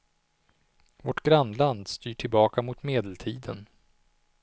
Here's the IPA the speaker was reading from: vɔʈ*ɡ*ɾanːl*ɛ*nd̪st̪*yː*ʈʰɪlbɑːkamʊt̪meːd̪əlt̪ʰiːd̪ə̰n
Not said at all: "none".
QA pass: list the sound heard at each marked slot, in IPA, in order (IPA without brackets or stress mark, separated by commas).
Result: ɡ, a, yː